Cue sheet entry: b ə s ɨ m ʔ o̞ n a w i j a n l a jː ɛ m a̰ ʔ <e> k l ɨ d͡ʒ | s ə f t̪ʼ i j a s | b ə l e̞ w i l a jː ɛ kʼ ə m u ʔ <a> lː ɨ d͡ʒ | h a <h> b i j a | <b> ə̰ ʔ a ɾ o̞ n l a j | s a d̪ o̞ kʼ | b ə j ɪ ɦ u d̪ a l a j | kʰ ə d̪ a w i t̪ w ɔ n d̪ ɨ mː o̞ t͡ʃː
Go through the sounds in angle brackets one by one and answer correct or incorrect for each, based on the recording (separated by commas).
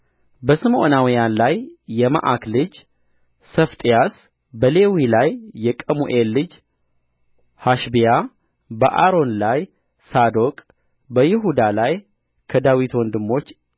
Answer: incorrect, incorrect, incorrect, correct